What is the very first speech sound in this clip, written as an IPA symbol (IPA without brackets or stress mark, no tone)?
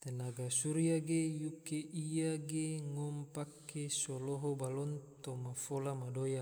t̪